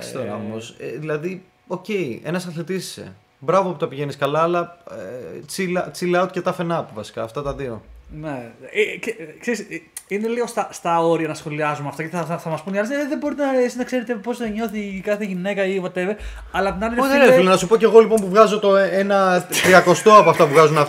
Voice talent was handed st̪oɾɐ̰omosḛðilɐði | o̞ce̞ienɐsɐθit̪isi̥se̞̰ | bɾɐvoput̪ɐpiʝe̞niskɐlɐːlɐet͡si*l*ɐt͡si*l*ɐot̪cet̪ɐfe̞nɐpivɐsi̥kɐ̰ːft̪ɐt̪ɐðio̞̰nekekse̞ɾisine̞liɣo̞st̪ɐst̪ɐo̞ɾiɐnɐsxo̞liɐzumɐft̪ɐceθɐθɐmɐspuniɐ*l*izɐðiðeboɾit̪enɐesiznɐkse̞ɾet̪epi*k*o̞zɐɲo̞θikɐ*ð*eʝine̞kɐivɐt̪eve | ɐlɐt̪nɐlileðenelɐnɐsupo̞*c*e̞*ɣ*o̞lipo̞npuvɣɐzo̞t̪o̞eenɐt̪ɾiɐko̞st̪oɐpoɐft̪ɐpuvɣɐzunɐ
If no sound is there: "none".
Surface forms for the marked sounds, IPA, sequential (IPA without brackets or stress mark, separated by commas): l, l, l, p, θ, c, ɣ